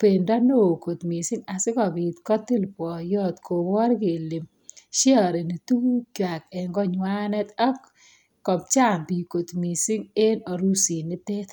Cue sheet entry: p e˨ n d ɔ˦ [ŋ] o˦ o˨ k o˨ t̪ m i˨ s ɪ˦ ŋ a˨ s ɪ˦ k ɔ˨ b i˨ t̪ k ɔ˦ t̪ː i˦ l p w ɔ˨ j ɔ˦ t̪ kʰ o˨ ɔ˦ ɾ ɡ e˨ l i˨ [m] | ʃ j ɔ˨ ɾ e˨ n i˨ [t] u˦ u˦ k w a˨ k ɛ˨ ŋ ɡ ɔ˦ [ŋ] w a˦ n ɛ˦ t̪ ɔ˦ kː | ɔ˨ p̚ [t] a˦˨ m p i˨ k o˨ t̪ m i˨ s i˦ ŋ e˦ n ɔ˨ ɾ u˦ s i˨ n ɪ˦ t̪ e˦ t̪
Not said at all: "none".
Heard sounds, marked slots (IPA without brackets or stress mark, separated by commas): n, m, t, ɲ, t͡ʃ